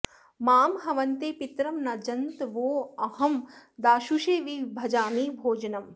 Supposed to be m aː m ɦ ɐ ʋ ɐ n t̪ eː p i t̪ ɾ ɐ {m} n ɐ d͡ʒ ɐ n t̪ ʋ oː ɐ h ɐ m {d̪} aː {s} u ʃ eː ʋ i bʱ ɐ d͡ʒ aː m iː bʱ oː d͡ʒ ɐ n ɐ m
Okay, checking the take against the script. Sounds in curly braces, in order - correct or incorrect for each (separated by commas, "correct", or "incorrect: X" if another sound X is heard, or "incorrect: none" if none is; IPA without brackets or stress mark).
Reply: correct, correct, incorrect: ʃ